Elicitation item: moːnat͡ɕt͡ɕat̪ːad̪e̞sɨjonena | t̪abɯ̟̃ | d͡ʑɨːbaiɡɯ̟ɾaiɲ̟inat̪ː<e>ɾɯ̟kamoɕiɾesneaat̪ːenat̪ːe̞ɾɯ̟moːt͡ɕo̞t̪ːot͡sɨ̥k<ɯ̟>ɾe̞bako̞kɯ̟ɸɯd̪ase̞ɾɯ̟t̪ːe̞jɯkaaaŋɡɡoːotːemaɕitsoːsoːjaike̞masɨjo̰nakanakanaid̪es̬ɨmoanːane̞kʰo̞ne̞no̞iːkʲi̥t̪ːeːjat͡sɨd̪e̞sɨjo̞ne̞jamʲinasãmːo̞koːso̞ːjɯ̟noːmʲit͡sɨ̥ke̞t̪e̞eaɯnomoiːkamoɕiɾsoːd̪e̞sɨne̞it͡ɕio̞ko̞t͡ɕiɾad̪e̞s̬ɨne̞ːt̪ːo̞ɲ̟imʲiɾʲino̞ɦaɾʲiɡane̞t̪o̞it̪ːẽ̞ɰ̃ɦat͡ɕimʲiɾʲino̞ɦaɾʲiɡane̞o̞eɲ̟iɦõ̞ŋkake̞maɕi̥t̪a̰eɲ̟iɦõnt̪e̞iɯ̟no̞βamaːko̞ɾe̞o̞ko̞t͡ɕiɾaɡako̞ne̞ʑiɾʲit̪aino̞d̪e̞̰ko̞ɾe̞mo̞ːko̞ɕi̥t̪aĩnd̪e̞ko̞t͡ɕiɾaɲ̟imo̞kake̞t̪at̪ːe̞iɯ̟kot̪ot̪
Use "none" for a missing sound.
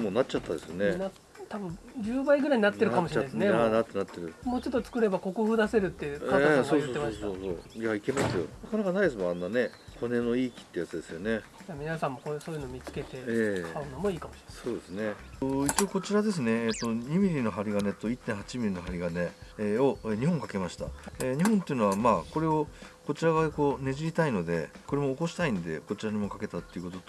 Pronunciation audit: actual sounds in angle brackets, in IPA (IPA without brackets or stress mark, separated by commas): e, ɯ̟